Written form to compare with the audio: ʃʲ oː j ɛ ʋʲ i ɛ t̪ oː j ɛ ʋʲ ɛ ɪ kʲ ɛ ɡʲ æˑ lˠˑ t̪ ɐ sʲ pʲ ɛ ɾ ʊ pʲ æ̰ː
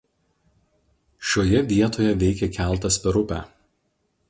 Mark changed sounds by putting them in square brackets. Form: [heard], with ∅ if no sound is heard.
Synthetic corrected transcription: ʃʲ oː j ɛ ʋʲ i ɛ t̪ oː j ɛ ʋʲ ɛ ɪ kʲ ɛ [kʲ] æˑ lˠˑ t̪ ɐ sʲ pʲ ɛ ɾ ʊ pʲ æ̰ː